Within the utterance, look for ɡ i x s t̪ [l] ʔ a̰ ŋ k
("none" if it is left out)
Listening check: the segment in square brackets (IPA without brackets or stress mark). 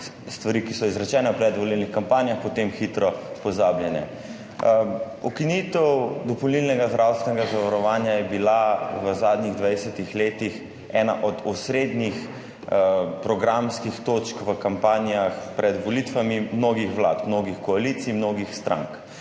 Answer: ɾ